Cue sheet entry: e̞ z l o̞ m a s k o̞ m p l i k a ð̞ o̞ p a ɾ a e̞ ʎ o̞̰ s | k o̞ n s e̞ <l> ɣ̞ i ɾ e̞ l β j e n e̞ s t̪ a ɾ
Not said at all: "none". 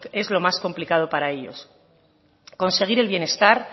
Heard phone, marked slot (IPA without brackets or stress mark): none